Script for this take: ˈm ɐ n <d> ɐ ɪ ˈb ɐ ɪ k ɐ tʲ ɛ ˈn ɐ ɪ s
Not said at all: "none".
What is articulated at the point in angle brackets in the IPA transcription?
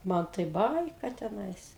t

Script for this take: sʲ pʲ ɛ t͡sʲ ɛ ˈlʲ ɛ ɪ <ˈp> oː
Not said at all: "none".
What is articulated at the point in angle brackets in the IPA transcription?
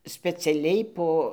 p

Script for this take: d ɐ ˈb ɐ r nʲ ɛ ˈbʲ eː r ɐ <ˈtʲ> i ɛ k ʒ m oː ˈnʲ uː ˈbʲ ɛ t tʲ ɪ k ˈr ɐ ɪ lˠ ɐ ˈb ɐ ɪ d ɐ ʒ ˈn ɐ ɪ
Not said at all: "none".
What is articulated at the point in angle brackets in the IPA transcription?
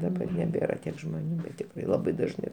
tʲ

